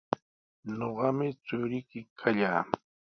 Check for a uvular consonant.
present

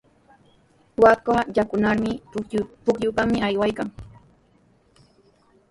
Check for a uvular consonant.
absent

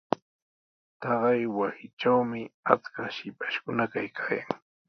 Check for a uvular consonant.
present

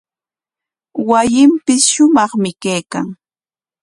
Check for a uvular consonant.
present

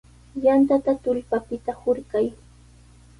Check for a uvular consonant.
absent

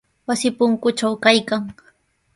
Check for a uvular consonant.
absent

